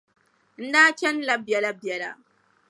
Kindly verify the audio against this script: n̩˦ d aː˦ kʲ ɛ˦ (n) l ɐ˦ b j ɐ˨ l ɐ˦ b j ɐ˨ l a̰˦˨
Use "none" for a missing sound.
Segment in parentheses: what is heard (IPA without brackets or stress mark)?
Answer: n